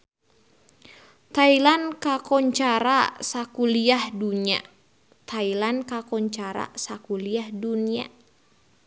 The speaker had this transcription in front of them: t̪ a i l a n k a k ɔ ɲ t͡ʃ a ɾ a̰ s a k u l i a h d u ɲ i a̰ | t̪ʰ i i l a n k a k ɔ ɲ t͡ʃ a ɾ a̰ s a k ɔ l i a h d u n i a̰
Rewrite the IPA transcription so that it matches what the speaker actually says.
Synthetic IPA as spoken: t̪ a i l a n k a k ɔ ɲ t͡ʃ a ɾ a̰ s a k u l i a h d u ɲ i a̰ | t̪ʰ a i l a n k a k ɔ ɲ t͡ʃ a ɾ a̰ s a k u l i a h d u n i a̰